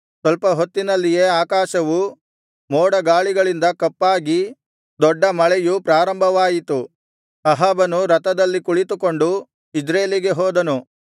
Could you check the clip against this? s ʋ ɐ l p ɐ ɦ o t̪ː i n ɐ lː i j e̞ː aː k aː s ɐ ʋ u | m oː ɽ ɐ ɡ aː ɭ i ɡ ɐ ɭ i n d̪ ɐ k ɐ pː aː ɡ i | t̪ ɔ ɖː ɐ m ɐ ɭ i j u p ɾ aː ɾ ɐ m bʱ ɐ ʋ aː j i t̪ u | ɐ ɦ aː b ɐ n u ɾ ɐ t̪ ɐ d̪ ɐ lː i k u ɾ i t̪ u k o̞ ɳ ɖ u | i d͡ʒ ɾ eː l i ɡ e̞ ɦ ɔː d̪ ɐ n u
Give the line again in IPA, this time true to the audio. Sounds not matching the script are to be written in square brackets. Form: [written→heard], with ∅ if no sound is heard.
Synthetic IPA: s ʋ ɐ l p ɐ ɦ o t̪ː i n ɐ lː i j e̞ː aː k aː [s→ʃ] ɐ ʋ u | m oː ɽ ɐ ɡ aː ɭ i ɡ ɐ ɭ i n d̪ ɐ k ɐ pː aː ɡ i | [t̪→d̪] ɔ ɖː ɐ m ɐ ɭ [i→ɛ] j u p ɾ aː ɾ ɐ m bʱ ɐ ʋ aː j i t̪ u | ɐ ɦ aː b ɐ n u ɾ ɐ t̪ ɐ d̪ ɐ lː i k u [ɾ→ɭ] i t̪ u k o̞ ɳ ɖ u | i d͡ʒ ɾ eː l i ɡ e̞ ɦ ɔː d̪ ɐ n u